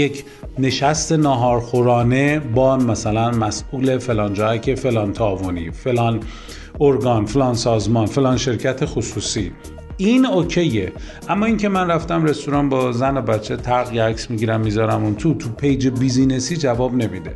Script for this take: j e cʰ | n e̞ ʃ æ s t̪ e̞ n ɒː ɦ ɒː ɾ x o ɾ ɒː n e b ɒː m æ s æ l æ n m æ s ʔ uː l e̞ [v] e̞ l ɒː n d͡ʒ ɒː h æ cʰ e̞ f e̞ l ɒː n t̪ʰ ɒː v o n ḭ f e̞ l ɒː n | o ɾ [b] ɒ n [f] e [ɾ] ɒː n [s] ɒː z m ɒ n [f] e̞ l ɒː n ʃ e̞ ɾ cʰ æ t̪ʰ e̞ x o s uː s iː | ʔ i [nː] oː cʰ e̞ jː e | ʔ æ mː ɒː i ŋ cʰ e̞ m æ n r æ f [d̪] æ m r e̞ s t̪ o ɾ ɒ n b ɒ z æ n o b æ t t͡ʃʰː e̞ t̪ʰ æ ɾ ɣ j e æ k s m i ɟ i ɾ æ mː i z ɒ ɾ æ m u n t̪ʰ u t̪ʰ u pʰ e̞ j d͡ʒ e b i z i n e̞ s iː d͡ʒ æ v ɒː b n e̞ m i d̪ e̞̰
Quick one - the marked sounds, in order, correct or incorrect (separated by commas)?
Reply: incorrect, incorrect, correct, incorrect, correct, correct, incorrect, incorrect